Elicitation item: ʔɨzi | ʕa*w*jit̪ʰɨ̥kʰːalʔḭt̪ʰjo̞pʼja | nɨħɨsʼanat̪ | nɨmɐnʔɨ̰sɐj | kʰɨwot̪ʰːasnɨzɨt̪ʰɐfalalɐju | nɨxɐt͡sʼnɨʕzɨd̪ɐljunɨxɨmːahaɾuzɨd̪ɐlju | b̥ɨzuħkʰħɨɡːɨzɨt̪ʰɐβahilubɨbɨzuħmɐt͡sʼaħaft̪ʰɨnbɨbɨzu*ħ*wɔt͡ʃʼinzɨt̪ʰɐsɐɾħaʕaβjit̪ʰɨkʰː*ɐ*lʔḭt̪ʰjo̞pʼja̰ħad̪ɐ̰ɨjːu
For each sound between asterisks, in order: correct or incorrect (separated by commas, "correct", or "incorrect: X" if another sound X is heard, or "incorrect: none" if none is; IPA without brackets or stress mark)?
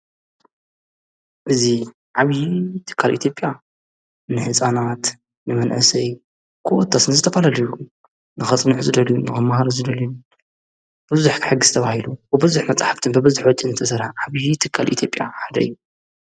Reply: incorrect: β, correct, incorrect: a